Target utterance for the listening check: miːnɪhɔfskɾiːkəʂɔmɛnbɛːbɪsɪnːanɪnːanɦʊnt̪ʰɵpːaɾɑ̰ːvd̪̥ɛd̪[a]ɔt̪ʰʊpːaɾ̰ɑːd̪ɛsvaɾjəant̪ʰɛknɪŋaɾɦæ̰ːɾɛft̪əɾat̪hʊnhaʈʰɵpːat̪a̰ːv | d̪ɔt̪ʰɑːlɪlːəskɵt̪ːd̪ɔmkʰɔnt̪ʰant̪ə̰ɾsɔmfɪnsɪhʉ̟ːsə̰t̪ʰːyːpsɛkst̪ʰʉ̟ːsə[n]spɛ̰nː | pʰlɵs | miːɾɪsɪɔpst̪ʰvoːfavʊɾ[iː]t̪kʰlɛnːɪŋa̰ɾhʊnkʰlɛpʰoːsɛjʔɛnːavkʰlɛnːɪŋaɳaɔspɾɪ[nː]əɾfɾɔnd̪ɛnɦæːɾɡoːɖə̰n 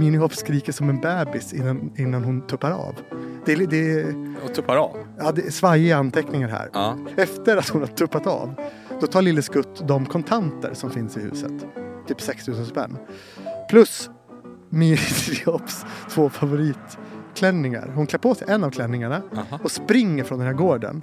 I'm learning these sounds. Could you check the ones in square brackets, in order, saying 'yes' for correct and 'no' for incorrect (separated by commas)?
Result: no, yes, yes, no